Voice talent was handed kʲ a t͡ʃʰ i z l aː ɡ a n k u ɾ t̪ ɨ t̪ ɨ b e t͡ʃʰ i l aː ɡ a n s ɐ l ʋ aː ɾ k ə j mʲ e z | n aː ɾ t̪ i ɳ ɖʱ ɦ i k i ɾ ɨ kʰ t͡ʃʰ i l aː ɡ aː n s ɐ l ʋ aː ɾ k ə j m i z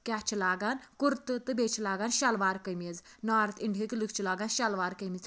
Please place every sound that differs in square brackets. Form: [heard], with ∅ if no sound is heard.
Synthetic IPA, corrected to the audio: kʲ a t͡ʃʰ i [∅] l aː ɡ a n k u ɾ t̪ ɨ t̪ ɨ b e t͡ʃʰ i l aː ɡ a n [ʃ] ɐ l ʋ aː ɾ k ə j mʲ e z | n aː ɾ t̪ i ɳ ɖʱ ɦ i k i [l] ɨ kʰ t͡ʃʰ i l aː ɡ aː n [ʃ] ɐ l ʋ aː ɾ k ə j m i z